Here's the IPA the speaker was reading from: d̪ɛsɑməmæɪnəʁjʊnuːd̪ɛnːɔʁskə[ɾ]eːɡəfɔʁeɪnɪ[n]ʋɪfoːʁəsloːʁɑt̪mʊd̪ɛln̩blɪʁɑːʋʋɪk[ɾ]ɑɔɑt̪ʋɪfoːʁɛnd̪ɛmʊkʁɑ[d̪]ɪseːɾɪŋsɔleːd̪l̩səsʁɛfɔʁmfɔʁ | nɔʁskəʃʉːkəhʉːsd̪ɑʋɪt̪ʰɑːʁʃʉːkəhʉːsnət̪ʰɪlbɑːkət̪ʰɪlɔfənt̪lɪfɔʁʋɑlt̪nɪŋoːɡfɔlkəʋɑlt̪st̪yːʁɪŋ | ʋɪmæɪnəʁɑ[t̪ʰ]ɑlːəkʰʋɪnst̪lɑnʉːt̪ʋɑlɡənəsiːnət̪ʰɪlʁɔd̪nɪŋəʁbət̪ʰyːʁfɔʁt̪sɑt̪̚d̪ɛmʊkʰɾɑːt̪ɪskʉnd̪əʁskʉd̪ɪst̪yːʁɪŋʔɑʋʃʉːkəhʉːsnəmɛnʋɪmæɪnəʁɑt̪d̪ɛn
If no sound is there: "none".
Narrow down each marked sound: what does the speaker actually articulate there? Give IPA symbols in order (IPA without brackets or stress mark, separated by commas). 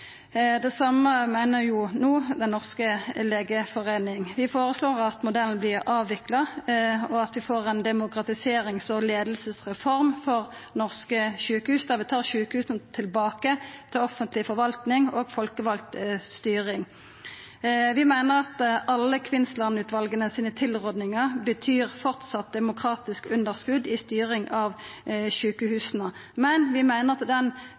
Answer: l, ŋ, l, t̪, t̪